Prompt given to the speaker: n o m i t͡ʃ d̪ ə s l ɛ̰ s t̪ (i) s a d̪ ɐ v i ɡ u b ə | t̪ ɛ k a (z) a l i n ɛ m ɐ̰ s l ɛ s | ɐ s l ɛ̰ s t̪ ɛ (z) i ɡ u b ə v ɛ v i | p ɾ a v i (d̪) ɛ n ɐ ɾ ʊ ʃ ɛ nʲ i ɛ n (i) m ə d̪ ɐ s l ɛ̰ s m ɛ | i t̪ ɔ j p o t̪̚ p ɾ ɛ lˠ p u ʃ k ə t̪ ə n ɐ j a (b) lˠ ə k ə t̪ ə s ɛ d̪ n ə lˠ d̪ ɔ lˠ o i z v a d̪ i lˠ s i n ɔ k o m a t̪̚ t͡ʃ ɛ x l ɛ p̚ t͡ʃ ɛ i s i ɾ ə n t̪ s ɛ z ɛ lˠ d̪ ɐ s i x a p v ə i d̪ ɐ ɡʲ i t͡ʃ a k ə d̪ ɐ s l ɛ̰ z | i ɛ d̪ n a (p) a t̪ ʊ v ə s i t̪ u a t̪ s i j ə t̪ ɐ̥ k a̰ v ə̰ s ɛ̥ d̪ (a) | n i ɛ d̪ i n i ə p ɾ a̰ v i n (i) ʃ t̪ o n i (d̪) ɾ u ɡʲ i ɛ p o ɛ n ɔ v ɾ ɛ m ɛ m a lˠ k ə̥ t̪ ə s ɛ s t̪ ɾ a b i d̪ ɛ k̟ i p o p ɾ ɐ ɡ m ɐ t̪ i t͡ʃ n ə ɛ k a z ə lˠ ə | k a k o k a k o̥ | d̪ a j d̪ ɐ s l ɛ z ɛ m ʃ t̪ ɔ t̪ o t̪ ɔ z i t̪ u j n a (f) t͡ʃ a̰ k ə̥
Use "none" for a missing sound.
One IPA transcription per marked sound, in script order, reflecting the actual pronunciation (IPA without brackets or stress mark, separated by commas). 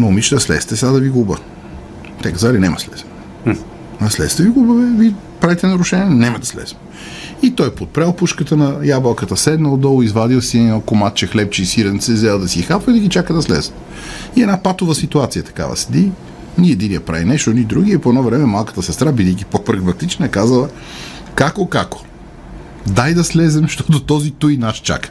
ɛ, z, v, t̪, ɛ, b, p, i, ɛ, d̪, ʃ